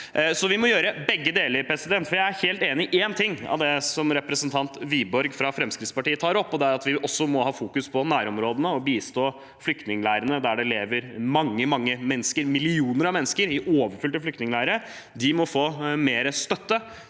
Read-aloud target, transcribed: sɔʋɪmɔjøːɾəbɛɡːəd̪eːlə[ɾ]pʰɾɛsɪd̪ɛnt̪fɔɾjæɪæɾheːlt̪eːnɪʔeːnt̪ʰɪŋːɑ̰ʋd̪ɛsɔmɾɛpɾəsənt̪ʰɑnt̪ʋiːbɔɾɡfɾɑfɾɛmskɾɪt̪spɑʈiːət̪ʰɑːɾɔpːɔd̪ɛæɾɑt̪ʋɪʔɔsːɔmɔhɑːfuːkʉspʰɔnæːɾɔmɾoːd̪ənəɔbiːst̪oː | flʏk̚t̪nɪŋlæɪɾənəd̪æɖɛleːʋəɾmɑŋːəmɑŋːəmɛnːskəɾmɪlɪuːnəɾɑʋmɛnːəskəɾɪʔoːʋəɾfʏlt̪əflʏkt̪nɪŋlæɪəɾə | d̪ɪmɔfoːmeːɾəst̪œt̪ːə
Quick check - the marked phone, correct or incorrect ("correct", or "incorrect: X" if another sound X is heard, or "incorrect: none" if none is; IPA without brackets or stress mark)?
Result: correct